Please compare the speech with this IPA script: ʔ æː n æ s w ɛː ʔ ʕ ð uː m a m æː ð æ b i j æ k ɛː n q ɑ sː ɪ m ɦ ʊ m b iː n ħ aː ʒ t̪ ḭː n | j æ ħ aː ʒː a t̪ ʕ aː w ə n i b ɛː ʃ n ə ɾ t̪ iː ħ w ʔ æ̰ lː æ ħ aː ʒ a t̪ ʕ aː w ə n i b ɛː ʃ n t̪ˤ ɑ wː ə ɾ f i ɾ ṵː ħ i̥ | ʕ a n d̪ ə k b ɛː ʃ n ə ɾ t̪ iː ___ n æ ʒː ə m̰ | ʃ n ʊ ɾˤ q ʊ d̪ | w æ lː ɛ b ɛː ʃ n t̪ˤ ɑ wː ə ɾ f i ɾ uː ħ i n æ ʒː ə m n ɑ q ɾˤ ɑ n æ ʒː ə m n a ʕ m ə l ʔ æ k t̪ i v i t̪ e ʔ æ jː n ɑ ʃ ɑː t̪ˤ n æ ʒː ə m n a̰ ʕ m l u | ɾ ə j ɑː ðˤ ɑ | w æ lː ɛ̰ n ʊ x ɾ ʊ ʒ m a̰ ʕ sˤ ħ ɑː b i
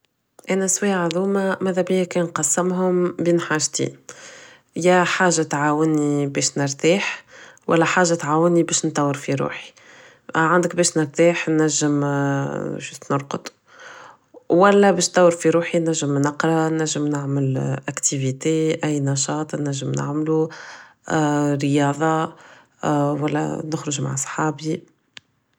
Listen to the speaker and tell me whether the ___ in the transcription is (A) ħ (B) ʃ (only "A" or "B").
A